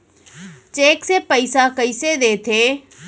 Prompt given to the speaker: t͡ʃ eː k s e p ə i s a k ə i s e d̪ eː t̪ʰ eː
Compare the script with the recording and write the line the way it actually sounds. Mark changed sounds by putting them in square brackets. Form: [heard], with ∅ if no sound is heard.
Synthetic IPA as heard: t͡ʃ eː k s e p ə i s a k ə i s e d̪ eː t̪ʰ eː